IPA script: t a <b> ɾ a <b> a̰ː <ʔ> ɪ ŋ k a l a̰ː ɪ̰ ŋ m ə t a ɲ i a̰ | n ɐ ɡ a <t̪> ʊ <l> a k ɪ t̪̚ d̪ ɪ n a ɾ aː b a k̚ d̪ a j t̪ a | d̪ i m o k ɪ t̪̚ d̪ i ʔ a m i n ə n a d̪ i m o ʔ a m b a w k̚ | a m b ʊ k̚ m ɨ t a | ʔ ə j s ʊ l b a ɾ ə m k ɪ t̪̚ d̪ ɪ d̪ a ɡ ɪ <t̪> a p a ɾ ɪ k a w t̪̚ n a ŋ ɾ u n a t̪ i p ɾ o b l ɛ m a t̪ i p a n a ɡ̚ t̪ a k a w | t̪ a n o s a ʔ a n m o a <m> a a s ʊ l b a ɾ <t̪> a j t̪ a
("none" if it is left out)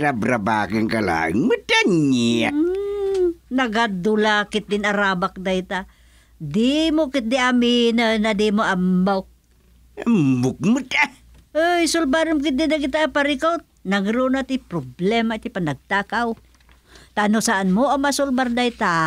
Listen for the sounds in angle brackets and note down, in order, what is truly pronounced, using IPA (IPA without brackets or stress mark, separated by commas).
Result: b, b, k, d̪, l, t̪, m, d̪